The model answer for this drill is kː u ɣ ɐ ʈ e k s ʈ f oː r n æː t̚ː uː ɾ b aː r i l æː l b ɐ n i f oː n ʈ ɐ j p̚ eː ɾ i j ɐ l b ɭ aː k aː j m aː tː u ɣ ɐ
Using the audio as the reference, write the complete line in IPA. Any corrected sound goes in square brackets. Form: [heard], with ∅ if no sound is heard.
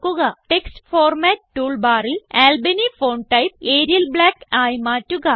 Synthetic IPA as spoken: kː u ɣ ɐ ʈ e k s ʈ f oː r [m] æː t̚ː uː [ɭ] b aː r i l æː l b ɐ n i f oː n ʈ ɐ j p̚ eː ɾ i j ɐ l b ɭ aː k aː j m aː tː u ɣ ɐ